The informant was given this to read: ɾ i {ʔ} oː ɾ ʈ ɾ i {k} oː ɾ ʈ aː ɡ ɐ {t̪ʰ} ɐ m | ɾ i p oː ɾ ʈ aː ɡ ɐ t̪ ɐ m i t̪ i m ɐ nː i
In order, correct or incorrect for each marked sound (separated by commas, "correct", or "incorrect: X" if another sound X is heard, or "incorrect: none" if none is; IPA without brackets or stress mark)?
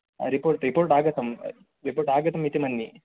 incorrect: p, incorrect: p, incorrect: t̪